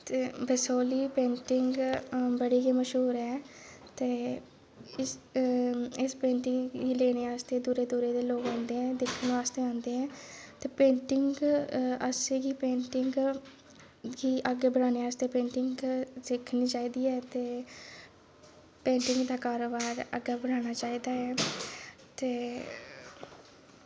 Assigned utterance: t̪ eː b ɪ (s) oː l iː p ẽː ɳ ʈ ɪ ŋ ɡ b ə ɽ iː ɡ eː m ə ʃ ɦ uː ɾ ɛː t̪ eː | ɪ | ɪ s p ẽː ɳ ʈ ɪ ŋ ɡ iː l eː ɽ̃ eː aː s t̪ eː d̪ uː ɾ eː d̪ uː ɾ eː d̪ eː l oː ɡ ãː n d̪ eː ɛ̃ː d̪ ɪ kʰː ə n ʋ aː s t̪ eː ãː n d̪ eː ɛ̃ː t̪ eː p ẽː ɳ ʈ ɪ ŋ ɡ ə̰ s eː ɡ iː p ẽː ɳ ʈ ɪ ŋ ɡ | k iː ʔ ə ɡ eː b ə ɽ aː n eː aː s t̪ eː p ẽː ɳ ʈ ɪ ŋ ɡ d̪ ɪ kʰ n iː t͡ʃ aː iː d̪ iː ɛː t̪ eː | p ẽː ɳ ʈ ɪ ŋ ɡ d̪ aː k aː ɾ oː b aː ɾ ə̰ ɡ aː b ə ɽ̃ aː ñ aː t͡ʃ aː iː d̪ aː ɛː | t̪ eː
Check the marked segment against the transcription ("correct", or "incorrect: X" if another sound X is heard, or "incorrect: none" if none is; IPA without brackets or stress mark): correct